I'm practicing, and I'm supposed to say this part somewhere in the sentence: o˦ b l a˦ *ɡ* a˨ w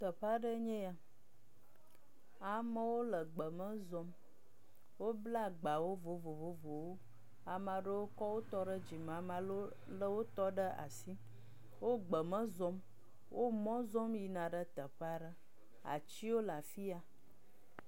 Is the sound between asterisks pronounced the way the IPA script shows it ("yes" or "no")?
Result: no